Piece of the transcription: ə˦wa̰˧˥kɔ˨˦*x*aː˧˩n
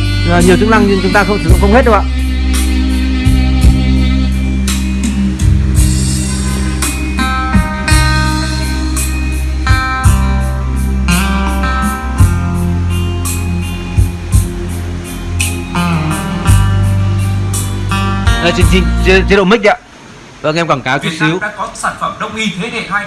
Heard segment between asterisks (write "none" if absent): s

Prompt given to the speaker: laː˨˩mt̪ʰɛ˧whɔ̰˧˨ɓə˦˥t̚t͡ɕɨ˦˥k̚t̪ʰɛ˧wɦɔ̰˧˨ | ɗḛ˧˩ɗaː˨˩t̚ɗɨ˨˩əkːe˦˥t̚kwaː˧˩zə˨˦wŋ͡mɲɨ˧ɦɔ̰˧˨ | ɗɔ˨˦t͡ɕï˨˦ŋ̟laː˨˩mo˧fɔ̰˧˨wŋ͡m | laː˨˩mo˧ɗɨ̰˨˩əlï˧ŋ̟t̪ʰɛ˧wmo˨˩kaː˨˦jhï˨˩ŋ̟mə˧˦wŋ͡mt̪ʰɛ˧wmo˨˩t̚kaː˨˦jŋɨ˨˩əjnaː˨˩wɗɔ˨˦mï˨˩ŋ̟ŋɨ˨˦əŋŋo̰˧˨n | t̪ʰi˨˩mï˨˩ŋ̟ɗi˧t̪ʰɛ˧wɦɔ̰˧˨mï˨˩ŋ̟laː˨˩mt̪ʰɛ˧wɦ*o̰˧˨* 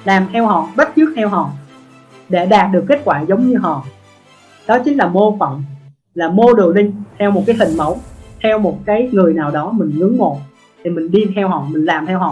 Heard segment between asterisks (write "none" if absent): ɔ̰˧˨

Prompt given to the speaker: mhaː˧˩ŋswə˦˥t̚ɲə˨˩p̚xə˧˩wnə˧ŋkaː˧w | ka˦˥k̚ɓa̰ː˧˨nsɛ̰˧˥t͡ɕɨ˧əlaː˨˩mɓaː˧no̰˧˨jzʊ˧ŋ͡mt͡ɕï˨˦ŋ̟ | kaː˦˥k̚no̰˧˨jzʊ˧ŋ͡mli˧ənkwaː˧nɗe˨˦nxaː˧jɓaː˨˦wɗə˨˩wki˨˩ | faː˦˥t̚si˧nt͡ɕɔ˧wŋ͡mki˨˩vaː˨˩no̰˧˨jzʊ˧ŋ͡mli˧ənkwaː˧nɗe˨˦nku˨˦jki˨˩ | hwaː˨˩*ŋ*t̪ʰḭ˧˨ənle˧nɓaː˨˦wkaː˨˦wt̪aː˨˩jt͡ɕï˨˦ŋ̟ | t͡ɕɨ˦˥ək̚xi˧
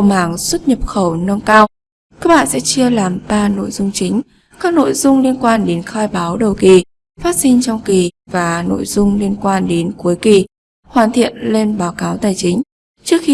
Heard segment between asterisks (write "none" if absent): n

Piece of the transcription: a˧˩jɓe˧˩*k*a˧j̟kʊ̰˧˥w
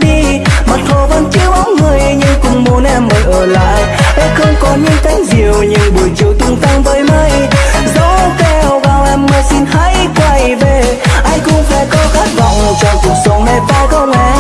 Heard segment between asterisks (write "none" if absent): ʔ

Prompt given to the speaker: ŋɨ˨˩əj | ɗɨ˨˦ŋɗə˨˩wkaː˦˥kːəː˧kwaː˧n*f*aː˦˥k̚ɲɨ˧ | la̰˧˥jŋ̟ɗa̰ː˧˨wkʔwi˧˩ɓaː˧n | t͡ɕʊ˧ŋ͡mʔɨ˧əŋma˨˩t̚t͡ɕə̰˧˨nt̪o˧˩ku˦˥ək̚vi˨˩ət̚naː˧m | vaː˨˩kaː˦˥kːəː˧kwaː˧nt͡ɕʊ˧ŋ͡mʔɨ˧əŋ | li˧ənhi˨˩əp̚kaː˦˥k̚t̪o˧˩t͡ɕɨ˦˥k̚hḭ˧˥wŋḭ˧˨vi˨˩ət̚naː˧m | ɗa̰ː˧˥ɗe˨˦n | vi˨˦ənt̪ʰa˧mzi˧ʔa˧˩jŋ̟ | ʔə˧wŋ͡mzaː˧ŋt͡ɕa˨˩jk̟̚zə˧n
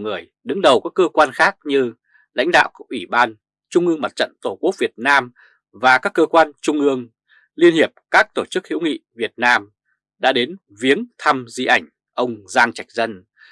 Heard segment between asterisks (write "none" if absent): x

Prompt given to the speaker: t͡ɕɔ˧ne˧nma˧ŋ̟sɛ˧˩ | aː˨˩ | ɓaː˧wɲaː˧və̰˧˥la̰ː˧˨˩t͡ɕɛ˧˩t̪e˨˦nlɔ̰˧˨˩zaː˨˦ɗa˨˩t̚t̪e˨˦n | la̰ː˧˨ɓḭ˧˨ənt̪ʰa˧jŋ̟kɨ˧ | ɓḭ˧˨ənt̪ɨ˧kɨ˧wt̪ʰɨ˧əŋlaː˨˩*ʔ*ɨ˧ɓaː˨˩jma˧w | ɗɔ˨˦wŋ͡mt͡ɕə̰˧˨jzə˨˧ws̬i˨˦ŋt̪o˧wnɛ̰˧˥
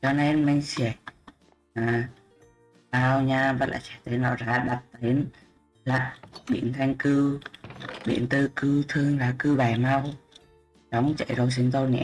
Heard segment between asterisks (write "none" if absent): k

